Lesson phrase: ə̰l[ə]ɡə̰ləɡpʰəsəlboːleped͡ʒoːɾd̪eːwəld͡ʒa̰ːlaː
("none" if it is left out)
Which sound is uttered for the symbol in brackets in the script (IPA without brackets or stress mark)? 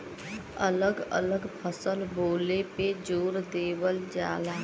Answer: ə